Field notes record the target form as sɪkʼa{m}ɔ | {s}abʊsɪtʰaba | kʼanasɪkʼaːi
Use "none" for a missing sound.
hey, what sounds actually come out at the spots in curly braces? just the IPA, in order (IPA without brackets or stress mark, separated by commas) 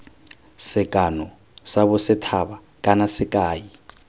n, s